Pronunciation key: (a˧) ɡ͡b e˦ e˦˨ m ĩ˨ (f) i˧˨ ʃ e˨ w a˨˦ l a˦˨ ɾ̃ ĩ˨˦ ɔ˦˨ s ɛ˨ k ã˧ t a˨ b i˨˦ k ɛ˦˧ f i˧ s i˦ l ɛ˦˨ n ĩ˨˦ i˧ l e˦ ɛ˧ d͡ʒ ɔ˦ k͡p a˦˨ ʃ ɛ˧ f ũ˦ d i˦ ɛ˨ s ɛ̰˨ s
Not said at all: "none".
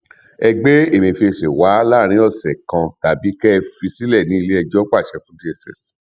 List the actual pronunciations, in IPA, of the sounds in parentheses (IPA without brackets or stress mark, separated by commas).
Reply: ɛ˧, f